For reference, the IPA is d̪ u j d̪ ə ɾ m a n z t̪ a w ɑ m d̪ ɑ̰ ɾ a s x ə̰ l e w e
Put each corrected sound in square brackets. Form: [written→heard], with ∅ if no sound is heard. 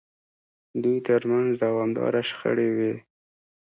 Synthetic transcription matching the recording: d̪ u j [d̪→t̪] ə ɾ m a n z [t̪→d̪] a w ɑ m d̪ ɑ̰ ɾ a [s→ʃ] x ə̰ [l→ɽ] e w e